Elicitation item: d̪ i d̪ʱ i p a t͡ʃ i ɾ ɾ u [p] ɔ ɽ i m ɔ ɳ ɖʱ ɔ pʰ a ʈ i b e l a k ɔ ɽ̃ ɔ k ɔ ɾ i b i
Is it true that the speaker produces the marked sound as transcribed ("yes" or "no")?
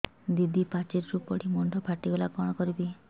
yes